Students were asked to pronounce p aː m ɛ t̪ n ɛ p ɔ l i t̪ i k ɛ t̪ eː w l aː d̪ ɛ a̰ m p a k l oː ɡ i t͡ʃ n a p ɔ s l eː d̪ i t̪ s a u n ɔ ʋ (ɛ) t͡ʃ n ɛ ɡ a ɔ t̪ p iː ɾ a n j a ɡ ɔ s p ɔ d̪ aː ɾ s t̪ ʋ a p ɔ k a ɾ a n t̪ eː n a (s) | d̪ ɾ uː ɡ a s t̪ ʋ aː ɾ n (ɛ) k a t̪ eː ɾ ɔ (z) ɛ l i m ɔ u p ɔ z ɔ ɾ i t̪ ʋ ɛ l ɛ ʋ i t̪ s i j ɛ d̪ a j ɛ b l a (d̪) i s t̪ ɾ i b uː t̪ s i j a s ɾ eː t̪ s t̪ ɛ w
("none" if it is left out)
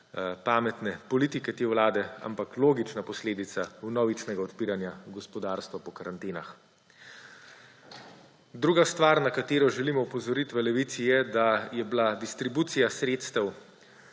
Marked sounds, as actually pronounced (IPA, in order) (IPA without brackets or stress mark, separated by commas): i, x, a, ʒ, d̪